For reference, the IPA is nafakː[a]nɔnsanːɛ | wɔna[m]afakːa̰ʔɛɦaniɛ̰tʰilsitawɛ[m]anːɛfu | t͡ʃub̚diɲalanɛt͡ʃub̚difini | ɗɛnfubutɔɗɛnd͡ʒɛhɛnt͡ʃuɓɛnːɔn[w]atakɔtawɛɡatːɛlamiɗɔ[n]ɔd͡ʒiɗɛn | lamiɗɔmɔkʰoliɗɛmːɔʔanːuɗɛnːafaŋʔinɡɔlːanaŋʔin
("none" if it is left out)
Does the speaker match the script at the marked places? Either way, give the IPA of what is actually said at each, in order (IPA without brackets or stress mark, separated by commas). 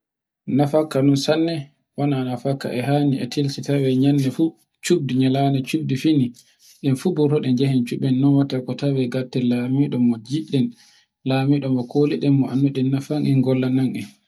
a, n, ɲ, w, m